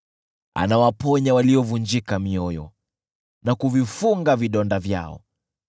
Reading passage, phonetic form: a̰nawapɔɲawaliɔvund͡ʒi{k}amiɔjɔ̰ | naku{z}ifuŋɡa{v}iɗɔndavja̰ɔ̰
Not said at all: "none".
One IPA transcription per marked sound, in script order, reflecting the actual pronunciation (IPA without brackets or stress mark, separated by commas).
k, v, v